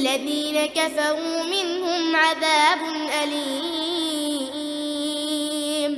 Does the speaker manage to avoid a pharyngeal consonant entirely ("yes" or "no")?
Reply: no